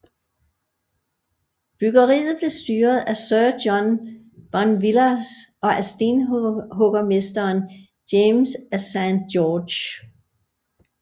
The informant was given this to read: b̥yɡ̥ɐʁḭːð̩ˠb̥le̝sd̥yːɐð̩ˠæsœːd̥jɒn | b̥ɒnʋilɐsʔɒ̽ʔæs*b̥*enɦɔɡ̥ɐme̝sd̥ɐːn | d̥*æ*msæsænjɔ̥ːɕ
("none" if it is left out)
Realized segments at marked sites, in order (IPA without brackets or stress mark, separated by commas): d̥, e